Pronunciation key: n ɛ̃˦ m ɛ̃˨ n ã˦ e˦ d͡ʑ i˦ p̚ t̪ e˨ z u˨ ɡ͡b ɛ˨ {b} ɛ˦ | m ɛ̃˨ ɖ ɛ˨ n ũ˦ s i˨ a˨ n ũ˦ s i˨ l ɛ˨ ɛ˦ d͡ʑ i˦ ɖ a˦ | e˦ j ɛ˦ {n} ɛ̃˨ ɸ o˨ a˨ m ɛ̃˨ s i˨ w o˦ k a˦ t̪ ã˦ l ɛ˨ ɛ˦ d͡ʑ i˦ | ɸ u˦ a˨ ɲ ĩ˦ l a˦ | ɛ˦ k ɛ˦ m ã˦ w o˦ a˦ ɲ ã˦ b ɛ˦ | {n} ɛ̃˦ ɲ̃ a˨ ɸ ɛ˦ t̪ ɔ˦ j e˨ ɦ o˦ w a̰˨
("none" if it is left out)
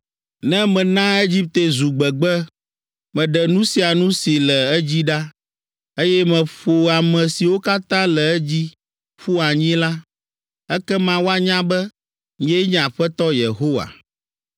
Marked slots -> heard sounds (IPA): ɡ͡b, m, ɲ

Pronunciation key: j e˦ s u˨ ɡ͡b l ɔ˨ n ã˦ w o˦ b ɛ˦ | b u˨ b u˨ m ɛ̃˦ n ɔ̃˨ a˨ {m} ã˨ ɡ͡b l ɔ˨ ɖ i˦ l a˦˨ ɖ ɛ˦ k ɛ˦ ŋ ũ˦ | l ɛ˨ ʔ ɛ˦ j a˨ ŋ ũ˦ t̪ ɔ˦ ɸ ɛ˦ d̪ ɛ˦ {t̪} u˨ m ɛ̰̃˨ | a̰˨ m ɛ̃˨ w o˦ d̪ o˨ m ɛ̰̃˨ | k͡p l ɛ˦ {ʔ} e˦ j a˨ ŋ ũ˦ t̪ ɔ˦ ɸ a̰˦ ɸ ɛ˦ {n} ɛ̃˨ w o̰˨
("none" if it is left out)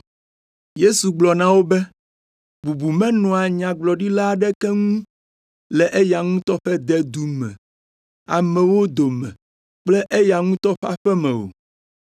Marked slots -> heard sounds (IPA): ɲ, d̪, ʔ, m

